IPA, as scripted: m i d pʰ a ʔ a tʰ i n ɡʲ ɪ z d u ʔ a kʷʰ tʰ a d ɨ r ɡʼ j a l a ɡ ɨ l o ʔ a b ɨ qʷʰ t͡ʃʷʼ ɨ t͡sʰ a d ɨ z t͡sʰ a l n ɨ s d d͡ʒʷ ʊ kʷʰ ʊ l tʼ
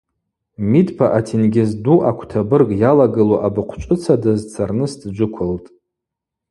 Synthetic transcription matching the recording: m i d pʰ a ʔ a tʰ i n ɡʲ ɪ z d u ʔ a kʷʰ tʰ a b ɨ r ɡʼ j a l a ɡ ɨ l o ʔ a b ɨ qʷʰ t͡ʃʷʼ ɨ t͡sʰ a d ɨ z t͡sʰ a r n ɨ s d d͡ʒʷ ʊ kʷʰ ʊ l tʼ